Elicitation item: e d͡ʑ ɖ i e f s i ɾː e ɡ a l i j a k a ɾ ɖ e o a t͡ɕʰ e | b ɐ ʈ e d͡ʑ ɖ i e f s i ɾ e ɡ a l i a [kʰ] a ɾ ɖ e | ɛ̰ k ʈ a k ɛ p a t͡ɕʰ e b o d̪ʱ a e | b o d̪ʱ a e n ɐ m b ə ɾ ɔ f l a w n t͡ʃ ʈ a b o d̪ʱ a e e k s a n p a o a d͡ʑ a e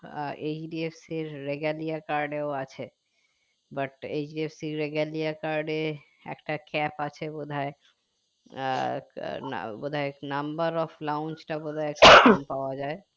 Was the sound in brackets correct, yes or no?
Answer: no